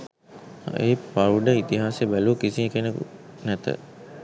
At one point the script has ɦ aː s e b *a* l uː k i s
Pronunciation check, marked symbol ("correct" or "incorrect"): incorrect